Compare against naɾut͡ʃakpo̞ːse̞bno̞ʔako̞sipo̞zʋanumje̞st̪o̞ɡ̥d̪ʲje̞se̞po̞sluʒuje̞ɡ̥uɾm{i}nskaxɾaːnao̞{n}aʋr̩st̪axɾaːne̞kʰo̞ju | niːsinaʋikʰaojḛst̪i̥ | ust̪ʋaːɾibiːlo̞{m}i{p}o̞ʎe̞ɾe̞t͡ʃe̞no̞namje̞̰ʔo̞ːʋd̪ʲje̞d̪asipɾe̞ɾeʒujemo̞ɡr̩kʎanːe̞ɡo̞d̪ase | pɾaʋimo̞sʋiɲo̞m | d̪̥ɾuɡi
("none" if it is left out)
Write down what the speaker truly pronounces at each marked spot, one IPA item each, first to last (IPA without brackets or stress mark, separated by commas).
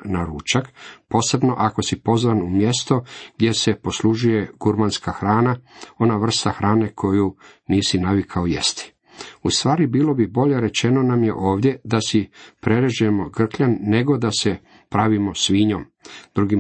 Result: a, n, b, b